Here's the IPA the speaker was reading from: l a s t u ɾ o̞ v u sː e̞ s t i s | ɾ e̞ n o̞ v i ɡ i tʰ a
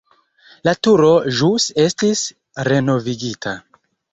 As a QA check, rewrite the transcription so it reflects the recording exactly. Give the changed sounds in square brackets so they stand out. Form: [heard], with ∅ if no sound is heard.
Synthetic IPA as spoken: l a [∅] t u ɾ o̞ [ʒ] u [s] e̞ s t i s | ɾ e̞ n o̞ v i ɡ i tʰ a